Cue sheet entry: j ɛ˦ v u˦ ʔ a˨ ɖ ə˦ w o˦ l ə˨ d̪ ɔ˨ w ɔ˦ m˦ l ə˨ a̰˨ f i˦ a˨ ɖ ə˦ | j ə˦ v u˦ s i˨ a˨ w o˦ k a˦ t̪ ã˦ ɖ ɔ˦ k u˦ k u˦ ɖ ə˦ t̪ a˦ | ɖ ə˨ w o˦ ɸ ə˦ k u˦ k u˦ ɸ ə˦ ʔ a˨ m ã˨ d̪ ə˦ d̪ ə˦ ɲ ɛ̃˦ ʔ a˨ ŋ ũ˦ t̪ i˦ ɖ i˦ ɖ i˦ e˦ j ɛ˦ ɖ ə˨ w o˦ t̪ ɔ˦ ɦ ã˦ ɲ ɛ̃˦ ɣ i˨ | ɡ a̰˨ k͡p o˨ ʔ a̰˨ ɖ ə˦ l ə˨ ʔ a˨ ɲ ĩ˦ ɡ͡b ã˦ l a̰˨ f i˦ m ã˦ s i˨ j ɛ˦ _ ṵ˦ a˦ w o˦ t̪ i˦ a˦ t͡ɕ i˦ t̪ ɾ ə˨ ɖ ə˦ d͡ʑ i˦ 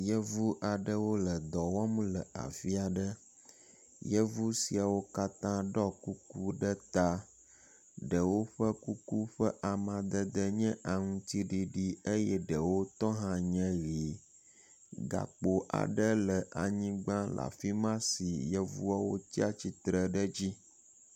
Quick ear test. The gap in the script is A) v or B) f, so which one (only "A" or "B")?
A